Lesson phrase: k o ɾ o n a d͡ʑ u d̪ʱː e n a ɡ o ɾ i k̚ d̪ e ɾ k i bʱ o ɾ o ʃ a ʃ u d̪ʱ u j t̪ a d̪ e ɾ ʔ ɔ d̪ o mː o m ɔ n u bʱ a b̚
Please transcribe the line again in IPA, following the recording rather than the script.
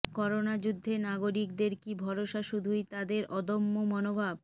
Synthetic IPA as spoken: k ɔ ɾ o n a d͡ʑ u d̪ʱː e n a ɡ o ɾ i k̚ d̪ e ɾ k i bʱ ɔ ɾ o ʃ a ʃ u d̪ʱ u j t̪ a d̪ e ɾ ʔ ɔ d̪ o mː o m ɔ n o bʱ a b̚